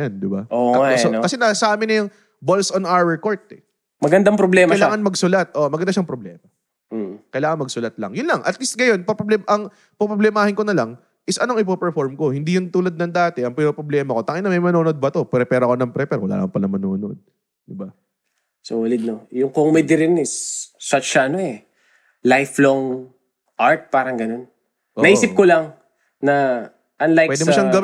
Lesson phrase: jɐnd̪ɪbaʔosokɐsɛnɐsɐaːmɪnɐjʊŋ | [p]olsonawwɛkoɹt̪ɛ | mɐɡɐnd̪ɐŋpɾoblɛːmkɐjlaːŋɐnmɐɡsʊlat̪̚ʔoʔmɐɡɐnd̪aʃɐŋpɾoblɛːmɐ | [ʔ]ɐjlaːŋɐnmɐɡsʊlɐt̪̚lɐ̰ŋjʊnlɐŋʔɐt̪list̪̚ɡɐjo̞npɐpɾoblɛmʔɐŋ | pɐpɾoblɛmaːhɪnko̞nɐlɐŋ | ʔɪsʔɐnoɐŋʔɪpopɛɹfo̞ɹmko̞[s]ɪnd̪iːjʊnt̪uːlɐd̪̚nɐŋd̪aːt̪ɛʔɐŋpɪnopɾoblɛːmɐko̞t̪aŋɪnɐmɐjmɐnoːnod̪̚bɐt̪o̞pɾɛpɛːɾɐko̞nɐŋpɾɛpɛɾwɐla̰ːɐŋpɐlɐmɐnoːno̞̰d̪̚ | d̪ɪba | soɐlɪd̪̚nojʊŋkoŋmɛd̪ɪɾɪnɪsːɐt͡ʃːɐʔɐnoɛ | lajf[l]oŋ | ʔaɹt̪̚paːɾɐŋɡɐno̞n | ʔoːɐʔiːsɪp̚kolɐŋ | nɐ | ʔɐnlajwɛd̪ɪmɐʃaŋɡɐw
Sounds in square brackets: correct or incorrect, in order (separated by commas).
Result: incorrect, incorrect, incorrect, correct